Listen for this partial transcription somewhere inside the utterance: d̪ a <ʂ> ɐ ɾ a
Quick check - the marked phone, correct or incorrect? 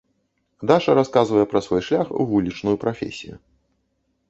correct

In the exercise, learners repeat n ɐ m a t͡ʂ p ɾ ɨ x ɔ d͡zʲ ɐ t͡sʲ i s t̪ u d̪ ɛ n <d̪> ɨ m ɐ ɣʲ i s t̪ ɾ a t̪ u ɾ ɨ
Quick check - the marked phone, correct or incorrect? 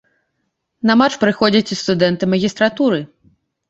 incorrect: t̪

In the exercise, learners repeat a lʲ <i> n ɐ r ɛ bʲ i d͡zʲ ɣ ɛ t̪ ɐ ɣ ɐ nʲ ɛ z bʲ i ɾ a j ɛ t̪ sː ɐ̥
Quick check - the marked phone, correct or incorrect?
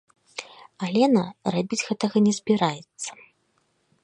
incorrect: ɛ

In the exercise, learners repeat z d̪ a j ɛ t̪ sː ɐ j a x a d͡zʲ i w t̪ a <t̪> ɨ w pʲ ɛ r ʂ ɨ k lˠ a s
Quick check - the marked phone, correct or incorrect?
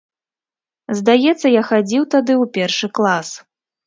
incorrect: d̪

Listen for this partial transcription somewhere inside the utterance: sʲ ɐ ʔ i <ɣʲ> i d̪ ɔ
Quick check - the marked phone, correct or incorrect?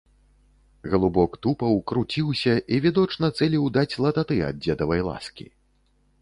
incorrect: vʲ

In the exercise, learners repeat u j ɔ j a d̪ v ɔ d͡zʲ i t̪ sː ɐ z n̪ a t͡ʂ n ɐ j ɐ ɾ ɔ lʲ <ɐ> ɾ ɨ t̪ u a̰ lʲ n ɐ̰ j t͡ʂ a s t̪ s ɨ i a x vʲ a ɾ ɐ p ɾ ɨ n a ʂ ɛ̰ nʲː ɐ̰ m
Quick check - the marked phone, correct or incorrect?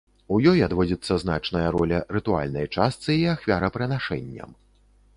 correct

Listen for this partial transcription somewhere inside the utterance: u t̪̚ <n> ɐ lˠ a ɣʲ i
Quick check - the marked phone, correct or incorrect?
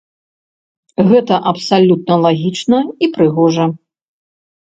correct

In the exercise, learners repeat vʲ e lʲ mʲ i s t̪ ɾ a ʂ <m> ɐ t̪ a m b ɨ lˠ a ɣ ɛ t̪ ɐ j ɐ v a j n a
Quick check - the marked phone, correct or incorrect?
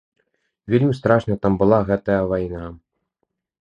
incorrect: n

